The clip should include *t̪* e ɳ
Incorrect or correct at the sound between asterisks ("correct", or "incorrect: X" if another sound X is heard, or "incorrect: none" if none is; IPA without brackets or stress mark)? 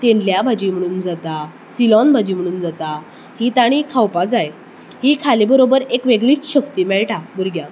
correct